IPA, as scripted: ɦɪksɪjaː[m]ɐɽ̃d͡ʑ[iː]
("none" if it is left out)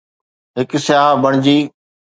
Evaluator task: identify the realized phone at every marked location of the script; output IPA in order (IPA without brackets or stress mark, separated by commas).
b, iː